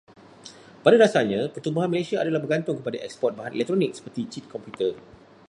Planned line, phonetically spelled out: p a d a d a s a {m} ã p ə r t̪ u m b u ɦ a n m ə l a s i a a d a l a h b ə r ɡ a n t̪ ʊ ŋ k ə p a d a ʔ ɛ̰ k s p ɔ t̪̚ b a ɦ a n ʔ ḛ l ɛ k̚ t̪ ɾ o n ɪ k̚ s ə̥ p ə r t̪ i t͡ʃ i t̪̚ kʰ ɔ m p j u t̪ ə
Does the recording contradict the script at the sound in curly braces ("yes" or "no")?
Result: yes